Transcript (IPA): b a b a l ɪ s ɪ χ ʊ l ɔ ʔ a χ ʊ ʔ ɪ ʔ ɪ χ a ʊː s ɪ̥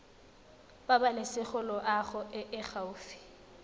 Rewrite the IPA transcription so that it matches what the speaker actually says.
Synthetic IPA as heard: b a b a l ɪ s ɪ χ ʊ l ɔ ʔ a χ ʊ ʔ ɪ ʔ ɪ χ a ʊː f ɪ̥